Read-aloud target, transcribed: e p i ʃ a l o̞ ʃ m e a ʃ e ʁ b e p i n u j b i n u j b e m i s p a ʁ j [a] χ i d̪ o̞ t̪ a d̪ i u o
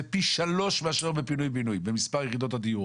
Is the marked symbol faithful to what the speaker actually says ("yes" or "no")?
no